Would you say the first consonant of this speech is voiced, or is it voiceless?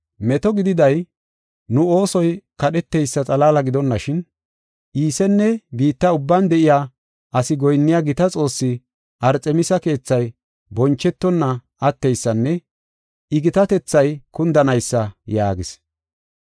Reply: voiced